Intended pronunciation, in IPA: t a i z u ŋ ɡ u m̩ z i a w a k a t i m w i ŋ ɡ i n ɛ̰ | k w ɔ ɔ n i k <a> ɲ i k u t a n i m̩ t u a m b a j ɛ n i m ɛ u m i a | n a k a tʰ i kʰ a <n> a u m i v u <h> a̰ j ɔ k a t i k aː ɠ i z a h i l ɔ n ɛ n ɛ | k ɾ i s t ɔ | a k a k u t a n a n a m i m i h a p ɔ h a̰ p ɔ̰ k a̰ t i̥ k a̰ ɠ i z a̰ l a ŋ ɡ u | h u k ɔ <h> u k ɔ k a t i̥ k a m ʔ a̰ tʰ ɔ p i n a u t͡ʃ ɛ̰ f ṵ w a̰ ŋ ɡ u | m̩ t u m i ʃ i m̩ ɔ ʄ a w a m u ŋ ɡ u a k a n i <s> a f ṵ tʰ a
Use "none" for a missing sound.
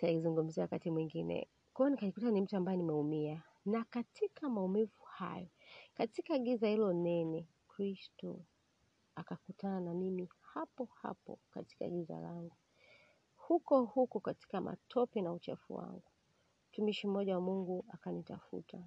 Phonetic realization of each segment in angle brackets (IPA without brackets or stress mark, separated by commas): a, m, h, h, t